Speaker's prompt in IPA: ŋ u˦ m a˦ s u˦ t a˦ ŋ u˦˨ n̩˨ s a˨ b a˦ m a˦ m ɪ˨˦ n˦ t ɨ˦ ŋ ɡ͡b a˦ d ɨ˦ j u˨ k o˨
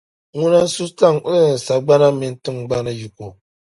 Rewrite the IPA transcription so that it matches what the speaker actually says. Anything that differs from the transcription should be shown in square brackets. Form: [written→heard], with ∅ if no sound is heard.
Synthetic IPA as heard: ŋ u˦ [m→n] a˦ s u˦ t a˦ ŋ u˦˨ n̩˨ s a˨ [b→ɡ͡b] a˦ [m→n] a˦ m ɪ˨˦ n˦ t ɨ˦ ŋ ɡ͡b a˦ [d→n] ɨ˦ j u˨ k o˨